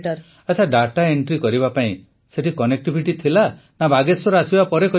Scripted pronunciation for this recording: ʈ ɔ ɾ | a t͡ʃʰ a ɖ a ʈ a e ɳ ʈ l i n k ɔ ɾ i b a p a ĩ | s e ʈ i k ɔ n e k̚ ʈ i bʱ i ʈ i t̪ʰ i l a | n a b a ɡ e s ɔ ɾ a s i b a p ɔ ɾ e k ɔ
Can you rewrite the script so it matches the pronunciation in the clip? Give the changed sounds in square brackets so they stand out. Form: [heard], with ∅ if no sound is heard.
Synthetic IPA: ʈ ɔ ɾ | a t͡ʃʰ a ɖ a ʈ a e ɳ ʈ [ɾ] i [∅] k ɔ ɾ i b a p a ĩ | s e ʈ i k ɔ n e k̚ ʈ i bʱ i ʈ i t̪ʰ i l a | n a b a ɡ e s ɔ ɾ a s i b a p ɔ ɾ e k ɔ